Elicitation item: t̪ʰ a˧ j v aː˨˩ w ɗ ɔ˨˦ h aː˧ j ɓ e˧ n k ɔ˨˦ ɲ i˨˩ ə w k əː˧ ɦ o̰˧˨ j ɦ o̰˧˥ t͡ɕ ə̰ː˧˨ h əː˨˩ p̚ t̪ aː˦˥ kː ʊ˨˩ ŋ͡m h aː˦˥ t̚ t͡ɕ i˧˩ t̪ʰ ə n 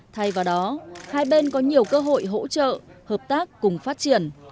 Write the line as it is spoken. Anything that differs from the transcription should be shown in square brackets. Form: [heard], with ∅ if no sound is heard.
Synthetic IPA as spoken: t̪ʰ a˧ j v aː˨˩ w ɗ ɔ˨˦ h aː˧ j ɓ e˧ n k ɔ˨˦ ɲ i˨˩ ə w k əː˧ ɦ o̰˧˨ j ɦ o̰˧˥ t͡ɕ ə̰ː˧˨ h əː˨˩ p̚ t̪ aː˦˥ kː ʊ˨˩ ŋ͡m [f] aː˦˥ t̚ t͡ɕ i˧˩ [∅] ə n

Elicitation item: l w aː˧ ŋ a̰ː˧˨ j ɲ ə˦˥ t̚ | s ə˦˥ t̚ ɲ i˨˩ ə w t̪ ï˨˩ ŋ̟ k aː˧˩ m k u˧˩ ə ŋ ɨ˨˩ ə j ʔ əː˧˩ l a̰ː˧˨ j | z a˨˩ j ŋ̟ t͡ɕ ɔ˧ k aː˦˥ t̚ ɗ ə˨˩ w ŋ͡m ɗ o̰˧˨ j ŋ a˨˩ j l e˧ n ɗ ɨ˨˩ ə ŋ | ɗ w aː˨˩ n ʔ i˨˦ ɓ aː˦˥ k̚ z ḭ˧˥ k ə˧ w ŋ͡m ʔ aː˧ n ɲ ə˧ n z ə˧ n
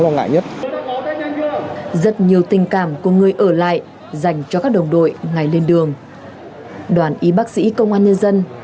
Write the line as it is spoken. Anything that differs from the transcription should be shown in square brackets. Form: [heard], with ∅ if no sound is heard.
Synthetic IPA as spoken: l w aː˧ ŋ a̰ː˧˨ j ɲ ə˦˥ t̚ | [z] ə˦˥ t̚ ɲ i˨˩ ə w t̪ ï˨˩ ŋ̟ k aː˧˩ m k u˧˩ ə ŋ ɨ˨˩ ə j ʔ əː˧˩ l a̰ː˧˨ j | z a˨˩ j ŋ̟ t͡ɕ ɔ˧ k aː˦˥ [k̚] ɗ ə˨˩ w ŋ͡m ɗ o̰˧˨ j ŋ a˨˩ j l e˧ n ɗ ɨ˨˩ ə ŋ | ɗ w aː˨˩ n ʔ i˨˦ ɓ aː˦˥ k̚ [s] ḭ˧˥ k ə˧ w ŋ͡m ʔ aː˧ n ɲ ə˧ n z ə˧ n

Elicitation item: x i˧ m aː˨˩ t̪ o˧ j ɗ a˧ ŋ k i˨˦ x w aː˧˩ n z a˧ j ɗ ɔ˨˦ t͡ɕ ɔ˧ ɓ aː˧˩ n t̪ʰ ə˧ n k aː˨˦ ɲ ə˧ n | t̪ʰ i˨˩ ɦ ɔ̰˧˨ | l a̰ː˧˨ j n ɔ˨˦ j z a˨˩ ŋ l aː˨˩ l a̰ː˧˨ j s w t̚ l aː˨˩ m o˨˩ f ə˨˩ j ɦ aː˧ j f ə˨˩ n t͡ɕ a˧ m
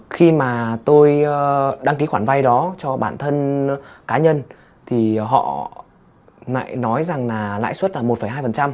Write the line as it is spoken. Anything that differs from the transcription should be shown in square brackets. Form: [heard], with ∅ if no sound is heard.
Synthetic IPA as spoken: x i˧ m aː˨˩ t̪ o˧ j ɗ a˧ ŋ k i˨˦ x w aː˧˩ n [v] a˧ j ɗ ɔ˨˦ t͡ɕ ɔ˧ ɓ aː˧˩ n t̪ʰ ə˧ n k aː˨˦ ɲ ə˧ n | t̪ʰ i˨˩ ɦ ɔ̰˧˨ | l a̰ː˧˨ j n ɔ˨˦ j z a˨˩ ŋ l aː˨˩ l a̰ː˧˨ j s w t̚ l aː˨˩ m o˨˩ f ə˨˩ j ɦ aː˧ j f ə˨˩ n t͡ɕ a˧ m

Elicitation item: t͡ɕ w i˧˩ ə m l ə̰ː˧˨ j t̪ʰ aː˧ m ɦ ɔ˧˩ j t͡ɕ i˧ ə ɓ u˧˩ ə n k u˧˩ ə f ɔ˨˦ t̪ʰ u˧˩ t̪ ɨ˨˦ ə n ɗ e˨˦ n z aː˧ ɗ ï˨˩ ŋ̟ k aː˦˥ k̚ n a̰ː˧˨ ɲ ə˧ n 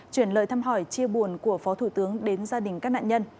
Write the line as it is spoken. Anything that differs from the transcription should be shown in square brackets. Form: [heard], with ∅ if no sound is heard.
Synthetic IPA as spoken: t͡ɕ w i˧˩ ə [n] l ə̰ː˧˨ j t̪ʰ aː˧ m ɦ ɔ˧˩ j t͡ɕ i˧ ə ɓ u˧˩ ə n k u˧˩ ə f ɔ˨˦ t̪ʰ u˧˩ t̪ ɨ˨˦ ə [ŋ] ɗ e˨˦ n z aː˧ ɗ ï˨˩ ŋ̟ k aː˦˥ k̚ n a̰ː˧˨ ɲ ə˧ n

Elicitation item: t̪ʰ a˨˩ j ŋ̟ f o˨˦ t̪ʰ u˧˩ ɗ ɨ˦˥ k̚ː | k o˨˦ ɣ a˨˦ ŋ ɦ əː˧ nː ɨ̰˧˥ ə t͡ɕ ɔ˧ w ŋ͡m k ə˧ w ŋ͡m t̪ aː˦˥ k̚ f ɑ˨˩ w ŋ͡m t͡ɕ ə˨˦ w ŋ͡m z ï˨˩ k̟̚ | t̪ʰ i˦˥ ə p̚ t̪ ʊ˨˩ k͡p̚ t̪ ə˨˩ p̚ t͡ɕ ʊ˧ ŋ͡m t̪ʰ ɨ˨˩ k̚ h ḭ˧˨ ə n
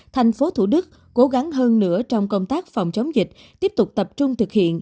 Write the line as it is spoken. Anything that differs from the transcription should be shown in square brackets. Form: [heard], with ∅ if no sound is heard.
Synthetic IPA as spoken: t̪ʰ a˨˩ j ŋ̟ f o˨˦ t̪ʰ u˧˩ ɗ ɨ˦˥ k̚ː | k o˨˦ ɣ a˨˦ ŋ ɦ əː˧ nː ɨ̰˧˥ ə t͡ɕ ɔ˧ w ŋ͡m k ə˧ w ŋ͡m t̪ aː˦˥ k̚ f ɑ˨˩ w ŋ͡m t͡ɕ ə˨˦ w ŋ͡m z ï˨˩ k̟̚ | [t̪] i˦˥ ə p̚ t̪ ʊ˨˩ k͡p̚ t̪ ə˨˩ p̚ t͡ɕ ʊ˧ ŋ͡m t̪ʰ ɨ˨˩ k̚ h ḭ˧˨ ə n

